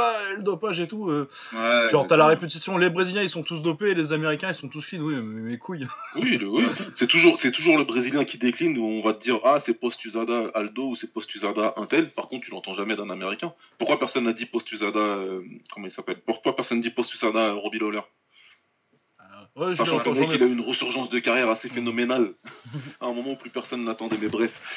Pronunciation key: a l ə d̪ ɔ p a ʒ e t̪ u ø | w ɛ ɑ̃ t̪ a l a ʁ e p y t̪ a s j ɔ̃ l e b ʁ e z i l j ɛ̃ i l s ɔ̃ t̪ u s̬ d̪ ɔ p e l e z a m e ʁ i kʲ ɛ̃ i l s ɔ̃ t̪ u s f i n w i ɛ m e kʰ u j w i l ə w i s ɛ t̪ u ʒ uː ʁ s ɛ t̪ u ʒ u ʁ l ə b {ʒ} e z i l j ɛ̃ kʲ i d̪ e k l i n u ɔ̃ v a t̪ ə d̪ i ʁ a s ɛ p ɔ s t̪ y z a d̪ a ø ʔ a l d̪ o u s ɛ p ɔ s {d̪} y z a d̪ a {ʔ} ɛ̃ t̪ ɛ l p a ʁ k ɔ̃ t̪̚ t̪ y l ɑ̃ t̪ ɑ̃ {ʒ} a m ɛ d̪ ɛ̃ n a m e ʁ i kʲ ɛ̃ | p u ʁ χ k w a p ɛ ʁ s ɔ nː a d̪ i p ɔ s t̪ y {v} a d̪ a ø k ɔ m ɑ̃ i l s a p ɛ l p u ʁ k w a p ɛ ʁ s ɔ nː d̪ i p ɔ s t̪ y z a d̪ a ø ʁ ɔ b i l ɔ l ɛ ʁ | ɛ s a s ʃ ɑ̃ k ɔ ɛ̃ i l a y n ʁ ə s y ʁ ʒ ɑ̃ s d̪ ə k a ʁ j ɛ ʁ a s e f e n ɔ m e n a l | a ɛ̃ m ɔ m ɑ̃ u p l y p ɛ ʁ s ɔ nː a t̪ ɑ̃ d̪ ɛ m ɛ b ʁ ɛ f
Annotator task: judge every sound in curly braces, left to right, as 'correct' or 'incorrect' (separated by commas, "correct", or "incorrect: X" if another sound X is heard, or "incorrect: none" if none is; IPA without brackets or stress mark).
incorrect: ʁ, incorrect: t̪, correct, correct, incorrect: z